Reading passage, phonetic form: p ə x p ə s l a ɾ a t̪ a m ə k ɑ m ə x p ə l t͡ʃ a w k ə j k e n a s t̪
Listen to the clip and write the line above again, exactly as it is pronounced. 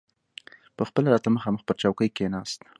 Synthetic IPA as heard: p ə x p ə l a ɾ ɑ t̪ a m ə x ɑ m ə x p ə ɾ t͡ʃ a w k ə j k e n ɑ s t̪

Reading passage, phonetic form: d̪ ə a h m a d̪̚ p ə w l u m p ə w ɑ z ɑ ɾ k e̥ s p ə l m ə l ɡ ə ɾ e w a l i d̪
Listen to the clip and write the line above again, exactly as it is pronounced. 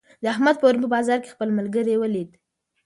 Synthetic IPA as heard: d̪ ə a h m a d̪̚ p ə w ɾ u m p ə b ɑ z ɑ ɾ k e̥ x p ə l m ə l ɡ ə ɾ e w ə l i d̪

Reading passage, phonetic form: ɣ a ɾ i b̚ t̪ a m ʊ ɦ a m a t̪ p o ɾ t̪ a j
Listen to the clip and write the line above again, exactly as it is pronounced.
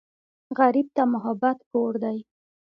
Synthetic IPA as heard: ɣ a ɾ i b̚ t̪ a m ʊ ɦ a b a t̪ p o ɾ d̪ a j

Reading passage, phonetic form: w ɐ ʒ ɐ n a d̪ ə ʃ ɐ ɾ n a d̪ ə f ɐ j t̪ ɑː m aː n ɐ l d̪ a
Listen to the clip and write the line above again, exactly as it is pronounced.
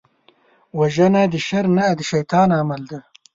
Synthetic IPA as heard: w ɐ ʒ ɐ n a d̪ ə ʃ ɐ ɾ n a d̪ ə ʃ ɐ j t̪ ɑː n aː m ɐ l d̪ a

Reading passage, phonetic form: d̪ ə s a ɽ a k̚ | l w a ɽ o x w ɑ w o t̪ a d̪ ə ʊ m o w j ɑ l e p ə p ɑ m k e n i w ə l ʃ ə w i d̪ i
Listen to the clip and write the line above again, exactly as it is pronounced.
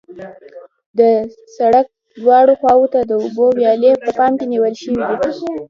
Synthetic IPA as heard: d̪ ə s a ɽ a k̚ | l w ɑ ɽ o x w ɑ w o t̪ a d̪ ə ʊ b o w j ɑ l e p ə p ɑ m k e n i w ə l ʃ ə w i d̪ i

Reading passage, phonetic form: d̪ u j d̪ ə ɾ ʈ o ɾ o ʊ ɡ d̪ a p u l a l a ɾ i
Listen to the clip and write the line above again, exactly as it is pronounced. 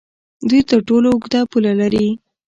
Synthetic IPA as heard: d̪ u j t̪ ə ɾ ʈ o l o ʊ ɡ d̪ a p u l a l a ɾ i

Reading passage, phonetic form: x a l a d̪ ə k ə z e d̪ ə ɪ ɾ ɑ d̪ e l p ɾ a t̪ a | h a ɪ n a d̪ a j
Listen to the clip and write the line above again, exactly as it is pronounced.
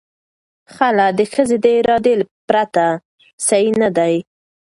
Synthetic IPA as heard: x a l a d̪ ə x ə z e d̪ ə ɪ ɾ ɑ d̪ e l p ɾ a t̪ a | s a i n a d̪ a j

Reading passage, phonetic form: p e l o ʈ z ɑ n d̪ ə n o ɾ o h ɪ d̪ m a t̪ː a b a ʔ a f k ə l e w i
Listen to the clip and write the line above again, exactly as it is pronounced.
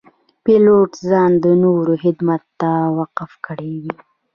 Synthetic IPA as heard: p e l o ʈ z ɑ n d̪ ə n o ɾ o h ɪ d̪ m a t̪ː a w a q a f k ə ɽ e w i

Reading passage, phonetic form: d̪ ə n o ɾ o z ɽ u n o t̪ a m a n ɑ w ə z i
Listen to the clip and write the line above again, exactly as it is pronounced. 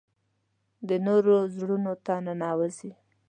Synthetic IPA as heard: d̪ ə n o ɾ o z ɽ u n o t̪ a n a n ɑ w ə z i

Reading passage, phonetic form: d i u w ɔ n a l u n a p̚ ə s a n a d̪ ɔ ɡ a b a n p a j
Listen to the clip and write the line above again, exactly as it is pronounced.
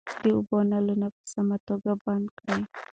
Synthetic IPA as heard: d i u b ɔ n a l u n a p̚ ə s a m a t̪ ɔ ɡ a b a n k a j

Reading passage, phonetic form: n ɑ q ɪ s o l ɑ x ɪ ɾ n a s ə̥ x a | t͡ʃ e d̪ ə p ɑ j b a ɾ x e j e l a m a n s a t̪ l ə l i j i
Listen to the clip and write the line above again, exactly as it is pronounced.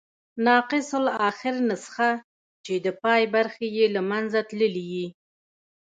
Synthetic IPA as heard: n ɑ q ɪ s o l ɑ x ɪ ɾ n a s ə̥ x a | t͡ʃ e d̪ ə p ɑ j b a ɾ x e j e l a m a n z a t̪ l ə l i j i

